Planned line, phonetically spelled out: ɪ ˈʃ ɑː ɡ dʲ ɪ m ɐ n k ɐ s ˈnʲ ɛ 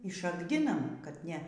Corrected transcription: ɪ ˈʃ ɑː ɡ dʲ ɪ n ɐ m k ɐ t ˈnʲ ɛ